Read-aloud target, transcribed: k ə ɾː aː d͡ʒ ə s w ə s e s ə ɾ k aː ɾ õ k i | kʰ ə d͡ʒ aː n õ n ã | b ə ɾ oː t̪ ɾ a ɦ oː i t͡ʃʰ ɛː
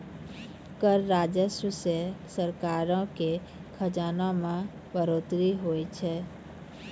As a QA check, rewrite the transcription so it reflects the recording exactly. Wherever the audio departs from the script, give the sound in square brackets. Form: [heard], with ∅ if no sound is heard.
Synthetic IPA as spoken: k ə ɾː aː d͡ʒ ə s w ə s e s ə ɾ k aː ɾ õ k [e] | kʰ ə d͡ʒ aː n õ [m] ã | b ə ɾ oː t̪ ɾ [i] ɦ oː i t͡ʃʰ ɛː